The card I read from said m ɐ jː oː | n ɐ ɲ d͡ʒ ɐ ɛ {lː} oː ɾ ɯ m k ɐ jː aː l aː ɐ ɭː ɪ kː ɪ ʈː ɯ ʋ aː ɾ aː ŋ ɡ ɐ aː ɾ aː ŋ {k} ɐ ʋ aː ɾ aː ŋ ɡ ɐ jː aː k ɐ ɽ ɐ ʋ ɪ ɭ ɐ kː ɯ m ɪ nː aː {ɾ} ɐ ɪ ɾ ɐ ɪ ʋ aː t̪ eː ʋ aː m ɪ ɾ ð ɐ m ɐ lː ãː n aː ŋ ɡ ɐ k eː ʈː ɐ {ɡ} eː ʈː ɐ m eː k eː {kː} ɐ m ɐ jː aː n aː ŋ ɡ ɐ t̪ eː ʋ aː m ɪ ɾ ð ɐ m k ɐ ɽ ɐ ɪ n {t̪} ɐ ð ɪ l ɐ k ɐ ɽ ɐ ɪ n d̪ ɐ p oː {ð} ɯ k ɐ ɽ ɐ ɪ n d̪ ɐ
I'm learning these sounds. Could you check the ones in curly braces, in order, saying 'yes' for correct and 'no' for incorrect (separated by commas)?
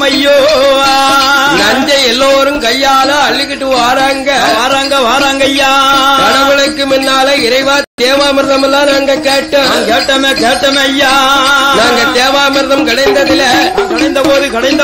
yes, no, no, no, no, no, yes